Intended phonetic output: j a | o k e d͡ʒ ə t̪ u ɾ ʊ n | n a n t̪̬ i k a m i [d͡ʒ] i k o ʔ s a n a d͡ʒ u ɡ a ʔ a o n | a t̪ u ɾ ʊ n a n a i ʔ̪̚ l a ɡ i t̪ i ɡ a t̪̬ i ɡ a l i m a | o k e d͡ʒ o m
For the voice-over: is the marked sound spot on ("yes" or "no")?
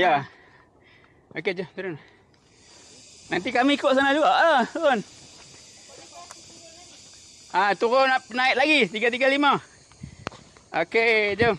no